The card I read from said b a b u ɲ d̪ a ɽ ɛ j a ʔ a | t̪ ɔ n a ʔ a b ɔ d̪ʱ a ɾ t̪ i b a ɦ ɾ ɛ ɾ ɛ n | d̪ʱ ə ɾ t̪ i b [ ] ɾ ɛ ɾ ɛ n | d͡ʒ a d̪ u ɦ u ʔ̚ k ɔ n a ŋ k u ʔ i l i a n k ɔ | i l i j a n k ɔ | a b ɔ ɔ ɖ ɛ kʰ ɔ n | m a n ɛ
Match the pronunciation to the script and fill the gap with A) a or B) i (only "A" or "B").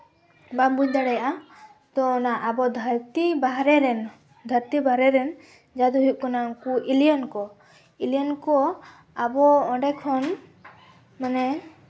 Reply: A